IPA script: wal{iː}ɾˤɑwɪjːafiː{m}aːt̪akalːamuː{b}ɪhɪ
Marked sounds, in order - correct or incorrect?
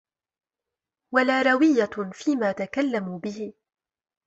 incorrect: aː, correct, correct

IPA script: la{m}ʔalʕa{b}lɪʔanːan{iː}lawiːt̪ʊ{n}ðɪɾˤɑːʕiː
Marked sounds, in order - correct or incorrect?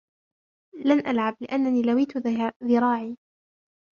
incorrect: n, correct, correct, incorrect: none

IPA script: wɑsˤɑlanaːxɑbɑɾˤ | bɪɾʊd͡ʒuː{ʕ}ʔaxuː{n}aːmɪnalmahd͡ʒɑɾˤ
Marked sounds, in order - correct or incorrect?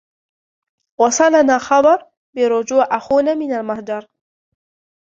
correct, correct

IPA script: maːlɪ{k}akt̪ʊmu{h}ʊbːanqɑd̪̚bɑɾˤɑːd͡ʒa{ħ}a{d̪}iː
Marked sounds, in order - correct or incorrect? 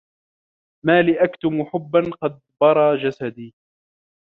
incorrect: ʔ, incorrect: ħ, incorrect: s, correct

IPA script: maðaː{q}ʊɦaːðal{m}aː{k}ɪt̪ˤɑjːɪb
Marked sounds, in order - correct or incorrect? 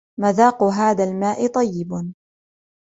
correct, correct, incorrect: ʔ

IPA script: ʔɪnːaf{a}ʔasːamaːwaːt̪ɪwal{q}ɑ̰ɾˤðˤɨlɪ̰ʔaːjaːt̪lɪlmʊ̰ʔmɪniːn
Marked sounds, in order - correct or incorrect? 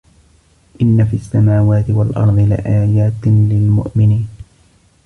incorrect: i, incorrect: ʔ

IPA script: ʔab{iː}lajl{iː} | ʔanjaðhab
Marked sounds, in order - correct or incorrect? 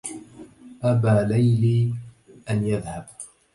incorrect: aː, correct

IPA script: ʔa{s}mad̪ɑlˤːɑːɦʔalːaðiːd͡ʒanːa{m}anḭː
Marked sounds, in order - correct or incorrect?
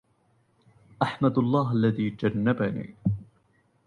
incorrect: ħ, incorrect: b

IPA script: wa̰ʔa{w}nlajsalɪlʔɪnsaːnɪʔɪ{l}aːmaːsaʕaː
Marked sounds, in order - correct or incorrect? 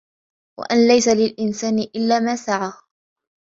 incorrect: none, incorrect: lː

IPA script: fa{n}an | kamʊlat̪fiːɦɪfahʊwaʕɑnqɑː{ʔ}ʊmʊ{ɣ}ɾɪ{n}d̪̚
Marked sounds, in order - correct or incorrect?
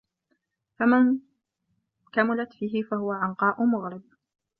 incorrect: m, correct, correct, incorrect: none

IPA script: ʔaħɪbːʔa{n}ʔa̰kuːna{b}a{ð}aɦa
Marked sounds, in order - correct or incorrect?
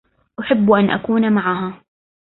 correct, incorrect: m, incorrect: ʕ

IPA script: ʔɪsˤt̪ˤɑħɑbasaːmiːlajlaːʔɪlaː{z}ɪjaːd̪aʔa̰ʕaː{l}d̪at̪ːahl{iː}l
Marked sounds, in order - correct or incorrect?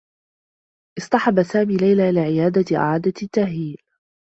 incorrect: ʕ, incorrect: none, correct

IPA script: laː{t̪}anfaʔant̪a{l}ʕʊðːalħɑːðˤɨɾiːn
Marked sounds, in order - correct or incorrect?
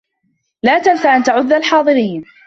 correct, incorrect: none

